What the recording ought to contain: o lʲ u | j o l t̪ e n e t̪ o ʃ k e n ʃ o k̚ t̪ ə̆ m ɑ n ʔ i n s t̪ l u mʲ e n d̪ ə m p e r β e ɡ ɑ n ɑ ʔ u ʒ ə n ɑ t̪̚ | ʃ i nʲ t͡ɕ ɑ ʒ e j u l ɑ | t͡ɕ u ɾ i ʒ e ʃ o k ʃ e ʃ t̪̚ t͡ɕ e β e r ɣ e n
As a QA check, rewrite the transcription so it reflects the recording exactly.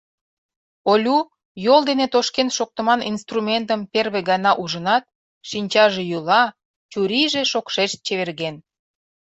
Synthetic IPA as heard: o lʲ u | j o l d̪ e n e t̪ o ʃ k e n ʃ o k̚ t̪ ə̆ m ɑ n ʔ i n s t̪ r u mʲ e n t̪ ə m p e r β e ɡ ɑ n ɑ ʔ u ʒ ə n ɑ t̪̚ | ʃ i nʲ t͡ɕ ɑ ʒ e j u l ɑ | t͡ɕ u ɾ i ʒ e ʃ o k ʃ e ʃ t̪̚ t͡ɕ e β e r ɣ e n